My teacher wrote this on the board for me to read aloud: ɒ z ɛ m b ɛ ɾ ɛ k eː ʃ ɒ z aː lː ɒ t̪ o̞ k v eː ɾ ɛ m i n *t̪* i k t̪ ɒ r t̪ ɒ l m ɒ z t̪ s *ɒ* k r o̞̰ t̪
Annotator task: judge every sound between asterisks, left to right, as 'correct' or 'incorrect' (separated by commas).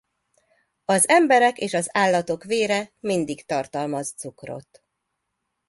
incorrect, incorrect